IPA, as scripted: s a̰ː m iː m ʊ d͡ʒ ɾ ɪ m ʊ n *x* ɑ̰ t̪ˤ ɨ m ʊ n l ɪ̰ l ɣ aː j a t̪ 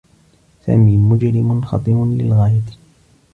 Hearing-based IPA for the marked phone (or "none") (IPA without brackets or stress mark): x